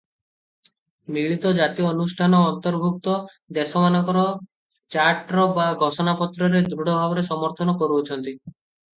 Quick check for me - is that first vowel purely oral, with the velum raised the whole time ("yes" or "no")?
yes